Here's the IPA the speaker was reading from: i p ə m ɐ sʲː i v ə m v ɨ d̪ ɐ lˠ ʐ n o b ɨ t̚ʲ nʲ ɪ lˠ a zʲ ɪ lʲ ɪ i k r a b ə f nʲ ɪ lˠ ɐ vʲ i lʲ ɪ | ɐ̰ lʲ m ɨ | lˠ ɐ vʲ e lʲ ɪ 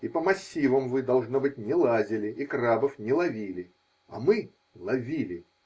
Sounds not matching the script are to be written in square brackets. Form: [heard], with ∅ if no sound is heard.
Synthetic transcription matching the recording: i p ə m ɐ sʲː i v ə m v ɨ d̪ ɐ lˠ ʐ n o b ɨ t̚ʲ nʲ ɪ lˠ a zʲ ɪ lʲ ɪ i k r a b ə f nʲ ɪ lˠ ɐ vʲ i lʲ ɪ | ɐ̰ [∅] m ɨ | lˠ ɐ vʲ [i] lʲ ɪ

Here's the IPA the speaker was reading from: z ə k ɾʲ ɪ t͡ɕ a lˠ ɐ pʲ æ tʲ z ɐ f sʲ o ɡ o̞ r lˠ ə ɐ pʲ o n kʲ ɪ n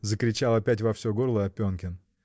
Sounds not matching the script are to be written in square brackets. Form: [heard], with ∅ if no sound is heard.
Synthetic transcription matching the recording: z ə k ɾʲ ɪ t͡ɕ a lˠ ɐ pʲ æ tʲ [v] ɐ f sʲ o ɡ o̞ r lˠ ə ɐ pʲ o n kʲ ɪ n

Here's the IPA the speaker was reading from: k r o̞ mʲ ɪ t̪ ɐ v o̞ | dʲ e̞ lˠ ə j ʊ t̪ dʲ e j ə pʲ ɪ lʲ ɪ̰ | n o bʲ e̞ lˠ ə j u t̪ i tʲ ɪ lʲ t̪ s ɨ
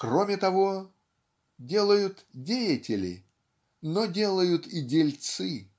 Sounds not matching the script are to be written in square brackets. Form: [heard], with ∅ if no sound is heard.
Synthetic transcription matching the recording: k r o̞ mʲ ɪ t̪ ɐ v o̞ | dʲ e̞ lˠ ə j ʊ t̪ dʲ e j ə [tʲ] ɪ lʲ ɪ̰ | n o [dʲ] e̞ lˠ ə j [ʊ] t̪ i [dʲ] ɪ lʲ t̪ s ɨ

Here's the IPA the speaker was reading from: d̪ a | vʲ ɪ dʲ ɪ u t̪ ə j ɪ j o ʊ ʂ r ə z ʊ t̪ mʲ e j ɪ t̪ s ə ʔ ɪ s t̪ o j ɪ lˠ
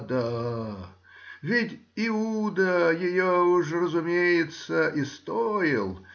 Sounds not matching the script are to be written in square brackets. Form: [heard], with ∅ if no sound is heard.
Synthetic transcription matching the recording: d̪ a | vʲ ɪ [tʲ] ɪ u [d̪] ə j ɪ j o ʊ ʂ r ə z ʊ [∅] mʲ e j ɪ t̪ s ə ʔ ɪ s t̪ o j ɪ lˠ

